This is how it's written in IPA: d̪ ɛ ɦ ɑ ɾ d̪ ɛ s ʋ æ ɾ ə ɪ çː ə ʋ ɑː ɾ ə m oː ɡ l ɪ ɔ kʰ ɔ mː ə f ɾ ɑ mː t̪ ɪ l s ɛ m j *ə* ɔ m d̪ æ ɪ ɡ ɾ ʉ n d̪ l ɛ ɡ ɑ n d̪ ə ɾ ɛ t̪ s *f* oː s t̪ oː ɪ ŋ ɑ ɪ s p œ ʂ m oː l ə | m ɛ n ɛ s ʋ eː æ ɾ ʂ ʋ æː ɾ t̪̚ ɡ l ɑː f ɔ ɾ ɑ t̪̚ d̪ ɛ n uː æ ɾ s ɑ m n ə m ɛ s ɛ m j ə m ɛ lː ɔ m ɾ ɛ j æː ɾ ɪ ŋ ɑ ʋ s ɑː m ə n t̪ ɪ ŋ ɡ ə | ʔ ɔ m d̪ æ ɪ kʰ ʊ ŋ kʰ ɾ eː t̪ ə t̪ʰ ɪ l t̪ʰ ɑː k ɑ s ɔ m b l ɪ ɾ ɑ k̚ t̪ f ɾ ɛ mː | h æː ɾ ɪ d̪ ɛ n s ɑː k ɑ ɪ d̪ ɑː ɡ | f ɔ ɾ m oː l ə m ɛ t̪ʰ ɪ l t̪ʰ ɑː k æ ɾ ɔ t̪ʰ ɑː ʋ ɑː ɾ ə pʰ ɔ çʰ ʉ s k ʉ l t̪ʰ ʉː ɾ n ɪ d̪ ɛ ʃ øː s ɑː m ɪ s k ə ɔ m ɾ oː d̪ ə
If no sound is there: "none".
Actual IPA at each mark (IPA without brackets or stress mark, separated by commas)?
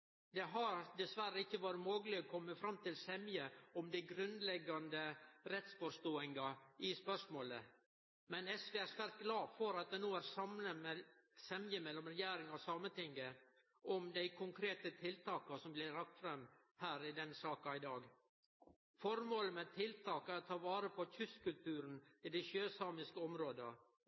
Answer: ə, f